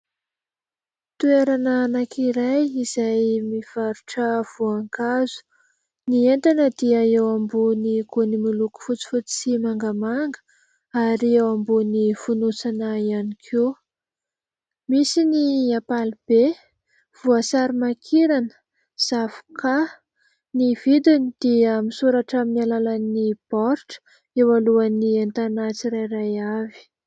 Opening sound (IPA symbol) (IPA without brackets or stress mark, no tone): t̪